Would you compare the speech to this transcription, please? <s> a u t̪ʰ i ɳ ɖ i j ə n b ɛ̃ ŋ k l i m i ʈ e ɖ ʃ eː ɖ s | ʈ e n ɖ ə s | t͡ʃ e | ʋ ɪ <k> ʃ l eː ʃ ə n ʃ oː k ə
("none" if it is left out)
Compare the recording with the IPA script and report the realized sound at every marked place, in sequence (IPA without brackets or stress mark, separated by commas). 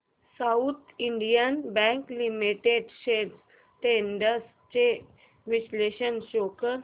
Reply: s, none